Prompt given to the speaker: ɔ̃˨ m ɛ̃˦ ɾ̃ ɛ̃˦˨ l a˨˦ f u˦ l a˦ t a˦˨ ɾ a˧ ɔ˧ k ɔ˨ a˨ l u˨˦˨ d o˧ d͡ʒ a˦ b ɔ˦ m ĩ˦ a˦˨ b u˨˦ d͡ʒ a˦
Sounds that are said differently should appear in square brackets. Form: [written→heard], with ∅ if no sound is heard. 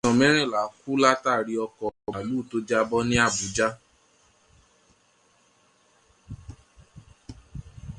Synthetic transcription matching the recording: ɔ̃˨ m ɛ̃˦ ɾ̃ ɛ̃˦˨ l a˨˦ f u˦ l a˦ t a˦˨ ɾ [a˧→i˧] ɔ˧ k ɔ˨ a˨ l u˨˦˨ [d→t] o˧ d͡ʒ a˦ b ɔ˦ [m→n] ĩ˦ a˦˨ b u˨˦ d͡ʒ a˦